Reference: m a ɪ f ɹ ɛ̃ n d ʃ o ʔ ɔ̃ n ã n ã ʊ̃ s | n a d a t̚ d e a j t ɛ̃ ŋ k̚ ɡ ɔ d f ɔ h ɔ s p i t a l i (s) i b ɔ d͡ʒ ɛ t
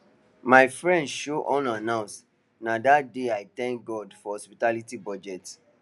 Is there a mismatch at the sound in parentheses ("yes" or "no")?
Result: yes